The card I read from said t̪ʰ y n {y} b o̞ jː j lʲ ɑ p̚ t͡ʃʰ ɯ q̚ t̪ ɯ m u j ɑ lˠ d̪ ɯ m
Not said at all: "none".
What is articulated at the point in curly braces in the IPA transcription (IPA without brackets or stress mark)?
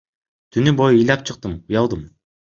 y